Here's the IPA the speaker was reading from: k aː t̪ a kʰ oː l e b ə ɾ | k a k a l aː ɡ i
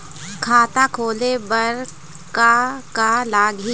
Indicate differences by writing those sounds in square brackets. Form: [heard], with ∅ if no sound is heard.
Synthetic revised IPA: [kʰ] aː t̪ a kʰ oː l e b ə ɾ | k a k a l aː ɡ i